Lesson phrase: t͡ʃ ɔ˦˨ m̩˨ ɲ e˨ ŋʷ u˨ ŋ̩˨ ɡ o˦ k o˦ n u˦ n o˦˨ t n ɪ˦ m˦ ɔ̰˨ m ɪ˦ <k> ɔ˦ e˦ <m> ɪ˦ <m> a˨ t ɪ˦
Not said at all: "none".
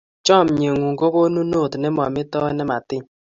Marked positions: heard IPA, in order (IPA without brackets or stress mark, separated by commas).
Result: t, n, m